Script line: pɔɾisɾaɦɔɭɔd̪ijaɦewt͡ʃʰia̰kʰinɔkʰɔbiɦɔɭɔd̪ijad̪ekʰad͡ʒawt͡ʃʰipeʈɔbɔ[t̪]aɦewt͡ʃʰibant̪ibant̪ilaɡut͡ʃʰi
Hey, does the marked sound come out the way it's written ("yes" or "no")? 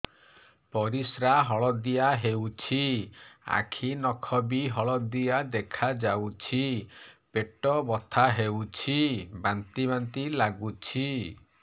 no